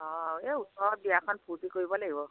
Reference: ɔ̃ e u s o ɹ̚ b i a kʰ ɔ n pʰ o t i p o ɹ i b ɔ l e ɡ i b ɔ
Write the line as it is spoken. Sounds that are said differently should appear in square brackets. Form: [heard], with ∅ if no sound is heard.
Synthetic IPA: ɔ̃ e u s [ɔ] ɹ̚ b i a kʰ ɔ n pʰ [u] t i [k] o ɹ i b ɔ l [a] ɡ i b ɔ